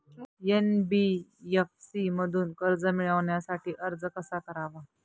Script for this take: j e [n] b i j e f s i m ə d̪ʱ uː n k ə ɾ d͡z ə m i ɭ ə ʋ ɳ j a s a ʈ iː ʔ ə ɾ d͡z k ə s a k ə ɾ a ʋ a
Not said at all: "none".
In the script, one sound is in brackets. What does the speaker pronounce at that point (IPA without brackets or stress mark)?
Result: n